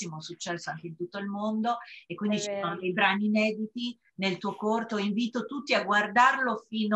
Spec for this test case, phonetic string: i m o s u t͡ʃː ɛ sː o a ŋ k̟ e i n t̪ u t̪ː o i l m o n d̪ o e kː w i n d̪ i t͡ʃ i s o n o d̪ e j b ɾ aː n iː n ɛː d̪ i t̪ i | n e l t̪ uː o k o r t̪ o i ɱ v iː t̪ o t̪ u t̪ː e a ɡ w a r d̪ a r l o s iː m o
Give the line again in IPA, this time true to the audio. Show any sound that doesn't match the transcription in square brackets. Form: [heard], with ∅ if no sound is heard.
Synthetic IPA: i m o s u t͡ʃː ɛ sː o a ŋ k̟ e i n t̪ u t̪ː o i l m o n d̪ o e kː w i n d̪ i t͡ʃ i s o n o d̪ e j b ɾ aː n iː n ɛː d̪ i t̪ i | n e l t̪ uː o k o r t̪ o i ɱ v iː t̪ o t̪ u t̪ː [i] a ɡ w a r d̪ a r l o [f] iː [n] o